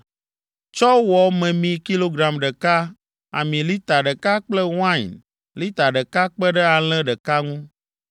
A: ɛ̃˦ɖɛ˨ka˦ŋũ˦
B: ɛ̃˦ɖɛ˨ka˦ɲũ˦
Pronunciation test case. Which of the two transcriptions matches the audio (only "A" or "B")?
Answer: A